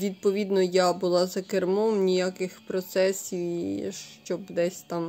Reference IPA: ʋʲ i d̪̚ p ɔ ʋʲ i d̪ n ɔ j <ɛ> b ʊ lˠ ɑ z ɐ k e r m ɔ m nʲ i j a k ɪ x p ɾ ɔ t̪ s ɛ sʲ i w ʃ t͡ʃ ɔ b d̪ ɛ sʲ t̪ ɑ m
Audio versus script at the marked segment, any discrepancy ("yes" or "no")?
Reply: yes